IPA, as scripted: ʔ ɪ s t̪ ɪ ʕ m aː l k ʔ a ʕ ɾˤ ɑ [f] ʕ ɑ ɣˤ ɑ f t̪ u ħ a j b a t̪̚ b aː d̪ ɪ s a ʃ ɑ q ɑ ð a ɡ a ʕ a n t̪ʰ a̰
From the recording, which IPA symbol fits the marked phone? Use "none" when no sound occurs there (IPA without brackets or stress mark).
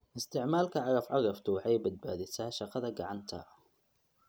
f